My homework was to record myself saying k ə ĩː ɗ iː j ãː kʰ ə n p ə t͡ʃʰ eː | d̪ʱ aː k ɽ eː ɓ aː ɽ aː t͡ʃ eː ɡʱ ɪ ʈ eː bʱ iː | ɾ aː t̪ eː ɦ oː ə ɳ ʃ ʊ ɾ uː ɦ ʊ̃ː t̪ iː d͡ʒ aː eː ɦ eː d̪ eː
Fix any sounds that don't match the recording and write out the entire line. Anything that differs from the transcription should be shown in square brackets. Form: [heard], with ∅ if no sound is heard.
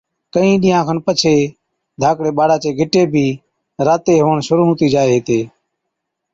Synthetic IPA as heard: k ə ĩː ɗ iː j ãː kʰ ə n p ə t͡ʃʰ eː | d̪ʱ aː k ɽ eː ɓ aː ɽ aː t͡ʃ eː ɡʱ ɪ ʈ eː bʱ iː | ɾ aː t̪ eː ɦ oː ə ɳ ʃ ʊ ɾ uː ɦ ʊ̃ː t̪ iː d͡ʒ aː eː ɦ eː [t̪] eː

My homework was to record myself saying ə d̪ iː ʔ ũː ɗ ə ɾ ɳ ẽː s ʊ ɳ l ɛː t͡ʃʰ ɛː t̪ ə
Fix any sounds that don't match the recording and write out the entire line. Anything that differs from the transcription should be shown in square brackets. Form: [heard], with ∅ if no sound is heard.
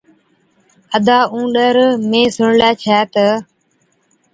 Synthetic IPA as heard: ə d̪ [aː] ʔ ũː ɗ ə ɾ [m] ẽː s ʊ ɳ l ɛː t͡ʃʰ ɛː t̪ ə

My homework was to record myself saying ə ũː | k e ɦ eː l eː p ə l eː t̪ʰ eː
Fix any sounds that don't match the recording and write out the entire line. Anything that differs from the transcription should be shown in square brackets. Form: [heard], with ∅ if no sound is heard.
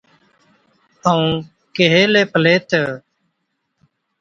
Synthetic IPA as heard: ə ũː | k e ɦ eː l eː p ə l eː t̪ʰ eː

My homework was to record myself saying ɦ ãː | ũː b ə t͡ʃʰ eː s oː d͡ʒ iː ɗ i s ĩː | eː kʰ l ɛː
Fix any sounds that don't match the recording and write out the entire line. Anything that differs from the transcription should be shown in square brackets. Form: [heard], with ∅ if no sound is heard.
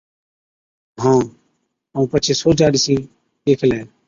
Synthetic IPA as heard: ɦ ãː | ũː [p] ə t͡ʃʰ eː s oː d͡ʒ [aː] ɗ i s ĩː | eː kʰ l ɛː

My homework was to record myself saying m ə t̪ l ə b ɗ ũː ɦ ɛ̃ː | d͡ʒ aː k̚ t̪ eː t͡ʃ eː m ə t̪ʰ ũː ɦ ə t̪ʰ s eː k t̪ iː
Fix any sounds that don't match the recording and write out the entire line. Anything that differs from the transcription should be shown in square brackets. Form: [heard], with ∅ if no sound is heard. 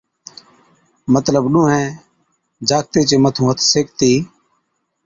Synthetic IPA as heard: m ə t̪ l ə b ɗ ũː ɦ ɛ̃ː | d͡ʒ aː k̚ t̪ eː t͡ʃ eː m ə t̪ʰ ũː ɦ ə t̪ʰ s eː k t̪ iː

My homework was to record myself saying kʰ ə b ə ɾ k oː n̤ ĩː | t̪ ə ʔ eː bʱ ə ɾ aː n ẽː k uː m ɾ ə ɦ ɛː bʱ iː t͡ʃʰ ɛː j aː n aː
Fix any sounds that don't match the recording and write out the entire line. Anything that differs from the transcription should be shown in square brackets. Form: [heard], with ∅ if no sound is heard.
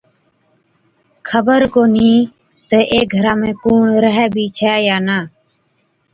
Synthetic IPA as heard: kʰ ə b ə ɾ k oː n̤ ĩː | t̪ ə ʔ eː [ɡʱ] ə ɾ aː [m] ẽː k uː [ɳ] ɾ ə ɦ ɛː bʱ iː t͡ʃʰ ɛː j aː n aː

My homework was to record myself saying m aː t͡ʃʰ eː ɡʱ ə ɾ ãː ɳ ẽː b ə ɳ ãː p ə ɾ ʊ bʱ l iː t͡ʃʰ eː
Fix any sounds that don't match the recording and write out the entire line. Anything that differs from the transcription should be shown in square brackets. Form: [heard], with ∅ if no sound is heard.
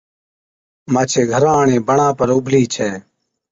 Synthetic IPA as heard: m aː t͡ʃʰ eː ɡʱ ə ɾ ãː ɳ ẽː b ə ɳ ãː p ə ɾ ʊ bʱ l iː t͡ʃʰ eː

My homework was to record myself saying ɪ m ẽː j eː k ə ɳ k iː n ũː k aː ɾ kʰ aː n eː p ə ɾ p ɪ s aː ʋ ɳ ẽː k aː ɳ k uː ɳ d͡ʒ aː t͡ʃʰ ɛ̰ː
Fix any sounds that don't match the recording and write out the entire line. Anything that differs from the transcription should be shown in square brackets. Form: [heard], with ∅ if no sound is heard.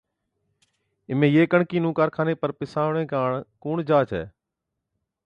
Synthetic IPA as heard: ɪ m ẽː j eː k ə ɳ k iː n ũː k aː ɾ kʰ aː n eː p ə ɾ p ɪ s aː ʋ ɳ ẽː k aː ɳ k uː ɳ d͡ʒ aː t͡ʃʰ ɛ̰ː

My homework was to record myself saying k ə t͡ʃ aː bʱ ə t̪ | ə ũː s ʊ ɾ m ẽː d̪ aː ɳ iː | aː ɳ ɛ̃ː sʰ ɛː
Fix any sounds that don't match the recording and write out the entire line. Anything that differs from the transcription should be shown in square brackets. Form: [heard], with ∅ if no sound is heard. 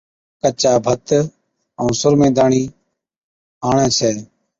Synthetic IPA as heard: k ə t͡ʃ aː bʱ ə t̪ | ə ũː s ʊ ɾ m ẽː d̪ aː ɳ iː | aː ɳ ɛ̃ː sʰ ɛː

